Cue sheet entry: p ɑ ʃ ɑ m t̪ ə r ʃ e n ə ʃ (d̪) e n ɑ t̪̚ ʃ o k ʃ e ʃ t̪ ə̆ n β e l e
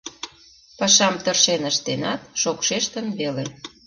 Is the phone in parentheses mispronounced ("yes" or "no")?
yes